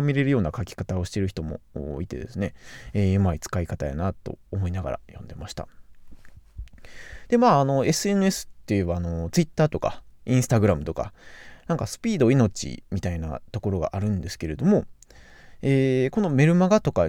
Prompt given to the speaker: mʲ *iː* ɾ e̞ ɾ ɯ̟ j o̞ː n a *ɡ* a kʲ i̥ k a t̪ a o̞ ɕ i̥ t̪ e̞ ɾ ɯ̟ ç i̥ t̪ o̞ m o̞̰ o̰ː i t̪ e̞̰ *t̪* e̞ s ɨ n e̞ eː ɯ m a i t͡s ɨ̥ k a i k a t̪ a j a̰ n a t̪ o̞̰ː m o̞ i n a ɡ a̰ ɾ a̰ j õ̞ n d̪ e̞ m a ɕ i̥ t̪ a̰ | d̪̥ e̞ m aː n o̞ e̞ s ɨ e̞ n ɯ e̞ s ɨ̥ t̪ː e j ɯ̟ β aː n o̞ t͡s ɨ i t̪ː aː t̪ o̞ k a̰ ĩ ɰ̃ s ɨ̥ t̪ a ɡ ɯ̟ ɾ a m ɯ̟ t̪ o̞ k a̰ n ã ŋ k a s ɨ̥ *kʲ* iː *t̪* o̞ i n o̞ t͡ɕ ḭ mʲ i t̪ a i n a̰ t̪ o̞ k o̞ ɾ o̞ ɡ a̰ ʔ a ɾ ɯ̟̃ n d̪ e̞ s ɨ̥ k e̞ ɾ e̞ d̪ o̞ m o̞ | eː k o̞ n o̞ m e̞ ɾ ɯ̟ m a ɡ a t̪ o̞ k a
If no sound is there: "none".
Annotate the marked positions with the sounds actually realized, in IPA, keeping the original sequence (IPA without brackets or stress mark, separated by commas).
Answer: i, k, d̪, pʲ, d̪